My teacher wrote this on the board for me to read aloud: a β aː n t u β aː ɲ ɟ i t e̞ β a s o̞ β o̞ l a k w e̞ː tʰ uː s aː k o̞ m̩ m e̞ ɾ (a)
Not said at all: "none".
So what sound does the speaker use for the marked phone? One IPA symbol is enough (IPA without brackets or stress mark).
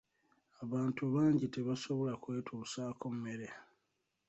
e